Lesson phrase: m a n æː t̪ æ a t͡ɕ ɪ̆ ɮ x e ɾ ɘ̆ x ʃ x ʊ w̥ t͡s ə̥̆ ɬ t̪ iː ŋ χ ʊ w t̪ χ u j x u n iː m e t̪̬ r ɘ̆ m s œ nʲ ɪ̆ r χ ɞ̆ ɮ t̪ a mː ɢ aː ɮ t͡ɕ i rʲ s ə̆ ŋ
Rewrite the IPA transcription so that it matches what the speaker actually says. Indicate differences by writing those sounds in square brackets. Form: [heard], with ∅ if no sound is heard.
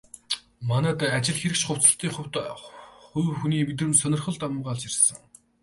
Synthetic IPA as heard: m a n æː t̪ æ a t͡ɕ ɪ̆ ɮ x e ɾ ɘ̆ [k] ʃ [χ] ʊ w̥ t͡s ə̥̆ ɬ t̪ iː ŋ χ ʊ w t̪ χ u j x u n iː m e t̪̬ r ɘ̆ m s œ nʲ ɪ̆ r χ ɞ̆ ɮ t̪ a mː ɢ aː ɮ t͡ɕ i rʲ s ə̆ ŋ